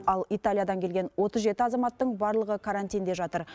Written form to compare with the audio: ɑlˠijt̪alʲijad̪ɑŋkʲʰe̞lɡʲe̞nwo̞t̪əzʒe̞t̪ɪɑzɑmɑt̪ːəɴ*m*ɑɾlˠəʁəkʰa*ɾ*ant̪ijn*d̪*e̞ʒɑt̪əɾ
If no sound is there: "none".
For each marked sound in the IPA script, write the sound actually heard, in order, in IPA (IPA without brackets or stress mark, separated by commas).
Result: b, ɾ, d̪